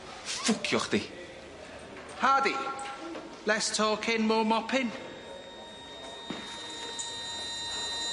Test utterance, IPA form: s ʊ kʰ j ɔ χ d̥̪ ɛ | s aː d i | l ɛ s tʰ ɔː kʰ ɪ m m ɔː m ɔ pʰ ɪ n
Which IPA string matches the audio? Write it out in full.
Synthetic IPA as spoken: f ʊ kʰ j ɔ χ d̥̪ i | h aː d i | l ɛ s tʰ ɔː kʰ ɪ n m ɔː m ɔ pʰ ɪ n